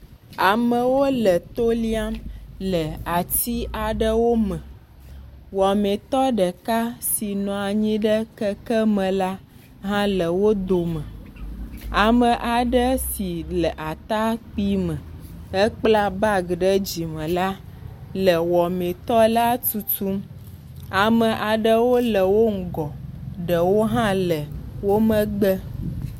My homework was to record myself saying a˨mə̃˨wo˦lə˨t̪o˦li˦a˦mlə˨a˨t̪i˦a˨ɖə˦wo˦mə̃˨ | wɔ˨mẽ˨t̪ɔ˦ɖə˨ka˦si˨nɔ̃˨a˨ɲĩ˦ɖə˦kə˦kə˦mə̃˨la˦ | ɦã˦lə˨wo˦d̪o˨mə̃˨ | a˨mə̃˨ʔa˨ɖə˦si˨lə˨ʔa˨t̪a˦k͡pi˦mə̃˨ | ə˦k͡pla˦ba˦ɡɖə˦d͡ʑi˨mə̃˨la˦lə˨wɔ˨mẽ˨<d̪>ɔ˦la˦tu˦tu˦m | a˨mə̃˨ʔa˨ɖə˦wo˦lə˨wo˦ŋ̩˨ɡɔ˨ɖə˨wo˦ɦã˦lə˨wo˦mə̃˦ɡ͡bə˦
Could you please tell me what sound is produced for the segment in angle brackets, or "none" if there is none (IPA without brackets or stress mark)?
t̪